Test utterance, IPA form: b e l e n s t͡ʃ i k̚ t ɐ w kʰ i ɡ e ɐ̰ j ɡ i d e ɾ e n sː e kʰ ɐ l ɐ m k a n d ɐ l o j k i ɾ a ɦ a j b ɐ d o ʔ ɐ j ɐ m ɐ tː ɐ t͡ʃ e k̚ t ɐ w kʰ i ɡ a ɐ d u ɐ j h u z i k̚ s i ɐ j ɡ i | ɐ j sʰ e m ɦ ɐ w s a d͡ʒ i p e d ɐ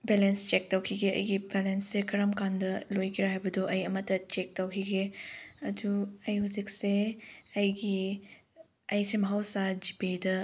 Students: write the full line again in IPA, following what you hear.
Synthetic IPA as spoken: b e l e n s t͡ʃ e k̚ t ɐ w kʰ i ɡ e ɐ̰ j ɡ i b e l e n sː e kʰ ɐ ɾ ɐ m k a n d ɐ l o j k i ɾ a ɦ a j b ɐ d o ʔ ɐ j ɐ m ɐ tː ɐ t͡ʃ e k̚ t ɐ w kʰ i ɡ e ɐ d u ɐ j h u z i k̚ s e ɐ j ɡ i | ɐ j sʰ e m ɦ a w s a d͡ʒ i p e d ɐ